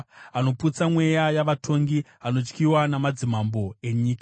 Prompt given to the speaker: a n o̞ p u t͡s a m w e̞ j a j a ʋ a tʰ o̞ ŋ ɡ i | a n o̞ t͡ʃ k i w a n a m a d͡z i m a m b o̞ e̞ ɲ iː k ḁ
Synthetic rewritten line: a n o̞ p u t͡s a m w e̞ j a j a ʋ a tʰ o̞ ŋ ɡ i | a n o̞ t͡ʃ k i w a n a m a d͡z i m a m b o̞ e̞ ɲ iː k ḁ